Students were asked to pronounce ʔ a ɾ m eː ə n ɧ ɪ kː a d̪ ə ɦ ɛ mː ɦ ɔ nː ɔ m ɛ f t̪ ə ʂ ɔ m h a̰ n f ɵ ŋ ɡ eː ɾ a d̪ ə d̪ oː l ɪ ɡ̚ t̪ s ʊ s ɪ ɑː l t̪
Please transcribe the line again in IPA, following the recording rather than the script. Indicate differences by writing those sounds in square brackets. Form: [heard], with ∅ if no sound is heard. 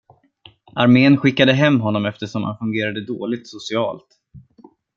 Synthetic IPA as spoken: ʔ a ɾ m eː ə n ɧ ɪ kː a d̪ ə ɦ ɛ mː ɦ ɔ nː ɔ m ɛ f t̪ ə ʂ ɔ m h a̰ n f ɵ ŋ ɡ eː ɾ a d̪ ə d̪ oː l ɪ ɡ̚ t̪ s ʊ s ɪ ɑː l t̪